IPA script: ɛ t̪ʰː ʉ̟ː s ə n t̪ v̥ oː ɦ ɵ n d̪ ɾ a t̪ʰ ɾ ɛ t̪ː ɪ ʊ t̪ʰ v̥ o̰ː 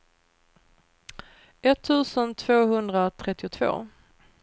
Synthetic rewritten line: ɛ t̪ʰː ʉ̟ː s ə n t̪ʰ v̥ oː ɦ ɵ n d̪ ɾ a t̪ʰ ɾ ɛ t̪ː ɪ ʊ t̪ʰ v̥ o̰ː